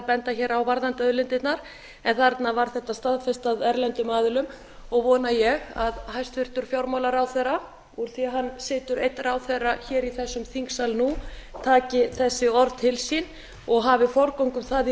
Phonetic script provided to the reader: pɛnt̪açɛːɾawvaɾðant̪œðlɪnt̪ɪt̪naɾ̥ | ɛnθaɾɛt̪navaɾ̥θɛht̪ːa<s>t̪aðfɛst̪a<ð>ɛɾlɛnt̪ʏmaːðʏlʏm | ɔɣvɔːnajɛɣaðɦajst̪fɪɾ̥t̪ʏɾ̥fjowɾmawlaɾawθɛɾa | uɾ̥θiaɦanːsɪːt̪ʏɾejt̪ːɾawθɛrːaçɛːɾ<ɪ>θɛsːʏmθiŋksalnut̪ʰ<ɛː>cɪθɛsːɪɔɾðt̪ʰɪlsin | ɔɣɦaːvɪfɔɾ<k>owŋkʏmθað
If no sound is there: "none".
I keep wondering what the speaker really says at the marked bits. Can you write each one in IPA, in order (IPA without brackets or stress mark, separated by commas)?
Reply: s, ð, i, aː, k